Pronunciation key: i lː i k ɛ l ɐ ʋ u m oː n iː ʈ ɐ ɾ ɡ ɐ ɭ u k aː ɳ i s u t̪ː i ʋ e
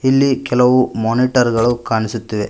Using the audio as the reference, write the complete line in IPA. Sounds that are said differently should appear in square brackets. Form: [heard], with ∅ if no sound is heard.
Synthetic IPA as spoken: i lː i k ɛ l ɐ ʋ u m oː n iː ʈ ɐ ɾ ɡ ɐ ɭ u k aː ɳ i s u t̪ː i ʋ e